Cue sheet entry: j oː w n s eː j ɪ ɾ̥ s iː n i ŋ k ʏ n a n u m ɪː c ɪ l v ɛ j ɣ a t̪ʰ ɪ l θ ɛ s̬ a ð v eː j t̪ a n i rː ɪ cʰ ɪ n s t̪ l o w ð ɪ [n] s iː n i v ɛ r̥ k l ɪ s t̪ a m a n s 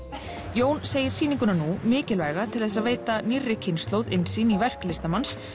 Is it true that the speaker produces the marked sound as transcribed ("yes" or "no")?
yes